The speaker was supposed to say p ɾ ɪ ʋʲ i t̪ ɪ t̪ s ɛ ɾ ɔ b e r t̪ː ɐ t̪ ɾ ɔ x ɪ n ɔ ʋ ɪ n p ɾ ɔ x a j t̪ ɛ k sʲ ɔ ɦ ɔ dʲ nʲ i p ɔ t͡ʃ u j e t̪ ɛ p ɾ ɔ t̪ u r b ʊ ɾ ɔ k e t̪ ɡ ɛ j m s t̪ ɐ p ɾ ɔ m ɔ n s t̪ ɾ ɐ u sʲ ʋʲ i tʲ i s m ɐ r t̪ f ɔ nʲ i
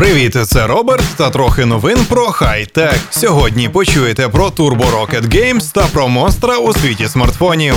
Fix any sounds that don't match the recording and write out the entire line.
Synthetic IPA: p ɾ ɪ ʋʲ i t̪ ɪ t̪ s ɛ ɾ ɔ b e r t̪ː ɐ t̪ ɾ ɔ x ɪ n ɔ ʋ ɪ n p ɾ ɔ x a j t̪ ɛ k sʲ ɔ ɦ ɔ dʲ nʲ i p ɔ t͡ʃ u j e t̪ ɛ p ɾ ɔ t̪ u r b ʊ ɾ ɔ k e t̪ ɡ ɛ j m s t̪ ɐ p ɾ ɔ m ɔ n s t̪ ɾ ɐ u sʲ ʋʲ i tʲ i s m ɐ r t̪ f ɔ nʲ i